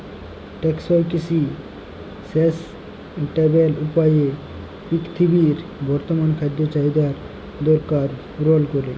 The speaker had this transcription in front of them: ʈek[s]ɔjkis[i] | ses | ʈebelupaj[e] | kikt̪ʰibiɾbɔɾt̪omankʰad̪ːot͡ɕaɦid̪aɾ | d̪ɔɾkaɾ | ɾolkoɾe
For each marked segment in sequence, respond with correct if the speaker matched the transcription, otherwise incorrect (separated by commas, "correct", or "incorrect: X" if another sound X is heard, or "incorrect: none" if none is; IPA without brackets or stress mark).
correct, correct, correct